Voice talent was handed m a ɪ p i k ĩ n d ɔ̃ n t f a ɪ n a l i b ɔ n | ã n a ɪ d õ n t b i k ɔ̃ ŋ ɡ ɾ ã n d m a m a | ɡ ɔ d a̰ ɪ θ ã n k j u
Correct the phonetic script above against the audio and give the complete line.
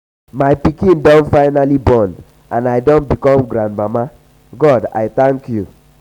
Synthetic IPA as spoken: m a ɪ p i k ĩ n d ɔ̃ n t f a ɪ n a l i b ɔ n | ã n a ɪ d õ n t b i k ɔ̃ m ɡ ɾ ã n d m a m a | ɡ ɔ d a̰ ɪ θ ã ŋ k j u